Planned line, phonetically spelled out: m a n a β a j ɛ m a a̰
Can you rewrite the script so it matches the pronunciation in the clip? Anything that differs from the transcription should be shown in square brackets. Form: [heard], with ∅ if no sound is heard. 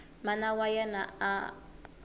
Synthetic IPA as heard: m a n a [w] a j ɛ [n] a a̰